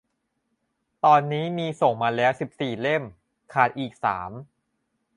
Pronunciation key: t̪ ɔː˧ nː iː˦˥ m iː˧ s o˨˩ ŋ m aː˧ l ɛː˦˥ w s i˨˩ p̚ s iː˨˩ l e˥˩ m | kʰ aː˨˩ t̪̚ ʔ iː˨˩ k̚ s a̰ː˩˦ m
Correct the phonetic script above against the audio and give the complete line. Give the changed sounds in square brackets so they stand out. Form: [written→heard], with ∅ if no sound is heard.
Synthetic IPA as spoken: t̪ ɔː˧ nː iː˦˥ m iː˧ s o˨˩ ŋ m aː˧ l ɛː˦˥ w s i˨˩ p̚ s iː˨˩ l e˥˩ m | kʰ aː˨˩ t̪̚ ʔ iː˨˩ k̚ s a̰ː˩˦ m